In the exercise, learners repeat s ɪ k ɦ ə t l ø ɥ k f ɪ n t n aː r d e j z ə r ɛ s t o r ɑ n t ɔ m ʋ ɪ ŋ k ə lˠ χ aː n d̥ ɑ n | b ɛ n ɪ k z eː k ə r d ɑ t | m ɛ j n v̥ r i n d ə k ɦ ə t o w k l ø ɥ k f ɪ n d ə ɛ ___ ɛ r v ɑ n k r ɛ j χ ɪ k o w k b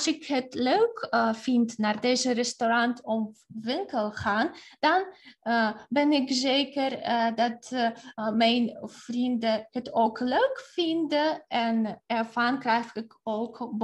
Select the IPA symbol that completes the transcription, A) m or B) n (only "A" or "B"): B